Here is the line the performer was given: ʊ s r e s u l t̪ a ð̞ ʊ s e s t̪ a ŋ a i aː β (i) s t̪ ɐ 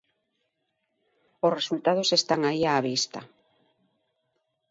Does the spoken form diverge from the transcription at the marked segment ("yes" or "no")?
no